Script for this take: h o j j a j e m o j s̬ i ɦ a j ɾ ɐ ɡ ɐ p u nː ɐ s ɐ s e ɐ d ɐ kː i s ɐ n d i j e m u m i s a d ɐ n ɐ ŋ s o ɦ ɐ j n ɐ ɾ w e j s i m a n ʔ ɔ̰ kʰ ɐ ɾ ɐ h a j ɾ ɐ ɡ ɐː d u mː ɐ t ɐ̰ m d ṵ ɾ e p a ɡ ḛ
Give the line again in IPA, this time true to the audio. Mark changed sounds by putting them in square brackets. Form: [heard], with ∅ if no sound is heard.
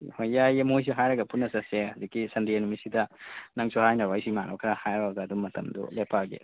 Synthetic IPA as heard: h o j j a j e m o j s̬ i ɦ a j ɾ ɐ ɡ ɐ p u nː ɐ s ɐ s e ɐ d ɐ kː i s ɐ n d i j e [n] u m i s [i] d ɐ n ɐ ŋ s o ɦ [a] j n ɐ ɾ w [a] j s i m a n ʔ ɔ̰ kʰ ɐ ɾ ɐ h a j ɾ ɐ ɡ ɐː d u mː ɐ t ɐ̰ m d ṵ [l] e p a ɡ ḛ